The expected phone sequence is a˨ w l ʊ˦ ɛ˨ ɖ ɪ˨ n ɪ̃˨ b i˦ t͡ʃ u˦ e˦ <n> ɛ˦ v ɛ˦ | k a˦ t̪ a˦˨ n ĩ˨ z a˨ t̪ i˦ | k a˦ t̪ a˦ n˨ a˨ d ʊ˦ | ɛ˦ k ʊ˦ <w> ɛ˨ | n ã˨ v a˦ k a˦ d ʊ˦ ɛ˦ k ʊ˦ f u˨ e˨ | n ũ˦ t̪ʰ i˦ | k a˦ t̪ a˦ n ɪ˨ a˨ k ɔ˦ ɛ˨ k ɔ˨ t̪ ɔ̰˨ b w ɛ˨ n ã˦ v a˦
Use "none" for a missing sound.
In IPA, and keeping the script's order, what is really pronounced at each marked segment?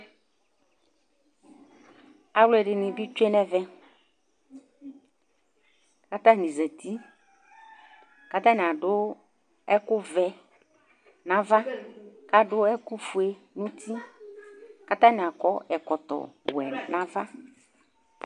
n, v

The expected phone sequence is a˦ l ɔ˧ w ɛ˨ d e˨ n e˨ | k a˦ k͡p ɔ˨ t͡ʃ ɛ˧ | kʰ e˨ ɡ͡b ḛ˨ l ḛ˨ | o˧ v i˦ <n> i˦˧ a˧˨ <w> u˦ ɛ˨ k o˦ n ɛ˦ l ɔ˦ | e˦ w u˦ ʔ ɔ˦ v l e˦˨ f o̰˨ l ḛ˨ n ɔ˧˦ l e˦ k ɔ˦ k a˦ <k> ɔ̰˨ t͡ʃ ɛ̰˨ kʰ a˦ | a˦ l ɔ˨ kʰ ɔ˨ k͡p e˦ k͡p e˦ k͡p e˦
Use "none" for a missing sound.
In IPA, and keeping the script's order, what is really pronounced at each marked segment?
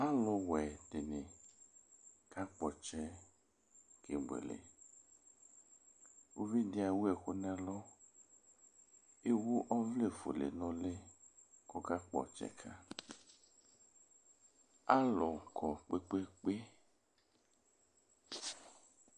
d, w, k͡p

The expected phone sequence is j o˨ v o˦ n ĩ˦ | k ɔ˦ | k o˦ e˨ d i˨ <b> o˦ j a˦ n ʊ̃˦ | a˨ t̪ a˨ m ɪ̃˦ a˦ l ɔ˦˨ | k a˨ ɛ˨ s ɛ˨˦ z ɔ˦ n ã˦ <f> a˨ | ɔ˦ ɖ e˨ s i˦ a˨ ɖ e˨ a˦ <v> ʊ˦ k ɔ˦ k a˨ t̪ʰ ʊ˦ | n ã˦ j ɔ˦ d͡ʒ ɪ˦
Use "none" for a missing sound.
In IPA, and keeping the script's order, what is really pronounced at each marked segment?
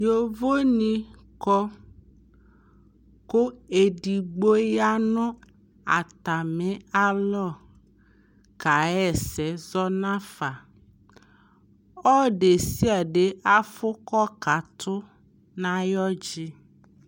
ɡ͡b, f, f

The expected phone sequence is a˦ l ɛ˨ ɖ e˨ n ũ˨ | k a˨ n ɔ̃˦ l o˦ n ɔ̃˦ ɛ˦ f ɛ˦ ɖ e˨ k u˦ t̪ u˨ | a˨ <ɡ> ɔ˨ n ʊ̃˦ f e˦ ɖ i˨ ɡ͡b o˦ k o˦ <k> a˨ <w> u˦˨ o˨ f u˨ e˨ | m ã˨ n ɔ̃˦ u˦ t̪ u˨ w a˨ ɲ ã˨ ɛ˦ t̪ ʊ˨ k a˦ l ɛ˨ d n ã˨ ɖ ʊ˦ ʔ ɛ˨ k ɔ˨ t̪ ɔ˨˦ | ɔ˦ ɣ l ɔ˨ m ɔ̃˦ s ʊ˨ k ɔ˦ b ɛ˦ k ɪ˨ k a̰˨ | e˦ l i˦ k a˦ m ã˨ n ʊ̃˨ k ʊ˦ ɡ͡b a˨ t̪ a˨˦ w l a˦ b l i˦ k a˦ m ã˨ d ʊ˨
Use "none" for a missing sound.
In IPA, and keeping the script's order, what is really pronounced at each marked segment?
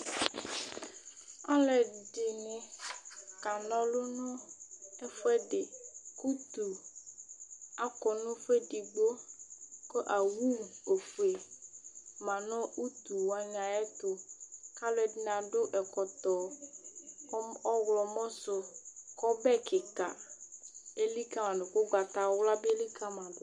k, ʔ, w

